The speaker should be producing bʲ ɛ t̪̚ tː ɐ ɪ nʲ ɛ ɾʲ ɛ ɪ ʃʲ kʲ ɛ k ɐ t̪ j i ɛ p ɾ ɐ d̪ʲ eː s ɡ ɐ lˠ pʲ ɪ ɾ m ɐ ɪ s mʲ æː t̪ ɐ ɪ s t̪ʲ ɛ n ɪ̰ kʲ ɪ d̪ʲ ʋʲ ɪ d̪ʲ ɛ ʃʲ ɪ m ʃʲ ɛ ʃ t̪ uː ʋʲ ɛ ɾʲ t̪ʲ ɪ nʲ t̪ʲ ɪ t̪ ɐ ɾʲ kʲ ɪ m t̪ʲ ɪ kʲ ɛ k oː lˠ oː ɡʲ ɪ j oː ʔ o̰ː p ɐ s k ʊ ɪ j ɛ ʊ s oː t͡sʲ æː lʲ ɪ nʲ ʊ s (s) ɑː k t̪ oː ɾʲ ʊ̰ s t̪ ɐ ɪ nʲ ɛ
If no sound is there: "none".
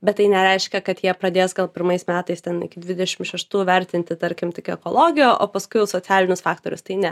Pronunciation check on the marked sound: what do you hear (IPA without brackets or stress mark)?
f